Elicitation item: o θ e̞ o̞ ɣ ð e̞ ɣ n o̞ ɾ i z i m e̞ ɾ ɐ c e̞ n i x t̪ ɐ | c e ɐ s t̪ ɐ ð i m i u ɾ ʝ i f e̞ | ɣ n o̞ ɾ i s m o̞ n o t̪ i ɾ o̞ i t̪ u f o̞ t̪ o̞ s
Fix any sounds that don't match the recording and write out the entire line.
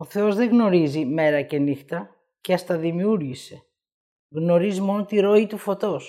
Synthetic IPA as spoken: o θ e̞ o̞ z ð e̞ ɣ n o̞ ɾ i z i m e̞ ɾ ɐ c e̞ n i x t̪ ɐ | c e ɐ s t̪ ɐ ð i m i u ɾ ʝ i s e̞ | ɣ n o̞ ɾ i z m o̞ n o t̪ i ɾ o̞ i t̪ u f o̞ t̪ o̞ s